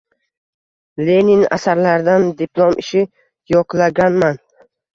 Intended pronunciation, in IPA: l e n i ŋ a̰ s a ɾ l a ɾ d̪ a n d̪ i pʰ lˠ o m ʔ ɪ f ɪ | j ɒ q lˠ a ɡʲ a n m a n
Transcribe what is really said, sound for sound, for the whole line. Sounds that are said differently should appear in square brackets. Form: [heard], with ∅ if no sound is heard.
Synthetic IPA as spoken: l e n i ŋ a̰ s a ɾ l a ɾ d̪ a n d̪ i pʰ lˠ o m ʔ ɪ [ʃ] ɪ | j ɒ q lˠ a ɡʲ a n m a n